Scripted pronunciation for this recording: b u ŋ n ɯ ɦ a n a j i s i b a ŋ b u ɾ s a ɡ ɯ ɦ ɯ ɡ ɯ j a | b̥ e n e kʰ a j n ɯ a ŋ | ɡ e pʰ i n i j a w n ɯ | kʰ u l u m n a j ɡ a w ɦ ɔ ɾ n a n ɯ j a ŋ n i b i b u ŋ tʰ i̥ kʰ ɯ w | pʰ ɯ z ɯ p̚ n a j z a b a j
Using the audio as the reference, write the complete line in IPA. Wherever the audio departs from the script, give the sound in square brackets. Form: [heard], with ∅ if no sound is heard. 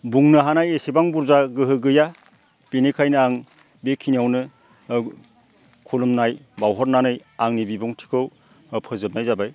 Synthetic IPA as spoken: b u ŋ n ɯ ɦ a n a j [e] s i b a ŋ b u ɾ [z] a ɡ ɯ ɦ ɯ ɡ ɯ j a | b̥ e n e kʰ a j n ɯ a ŋ | [b] e [kʰ] i n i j a w n ɯ | kʰ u l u m n a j [b] a w ɦ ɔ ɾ n a n ɯ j a ŋ n i b i b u ŋ tʰ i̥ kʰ ɯ w | pʰ ɯ z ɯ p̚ n a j z a b a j